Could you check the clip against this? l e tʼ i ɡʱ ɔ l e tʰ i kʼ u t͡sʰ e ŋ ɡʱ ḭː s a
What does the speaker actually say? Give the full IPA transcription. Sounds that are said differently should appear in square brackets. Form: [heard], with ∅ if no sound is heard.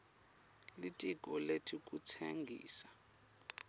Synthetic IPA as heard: l [i] tʼ i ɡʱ ɔ l e tʰ i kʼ u t͡sʰ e ŋ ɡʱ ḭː s a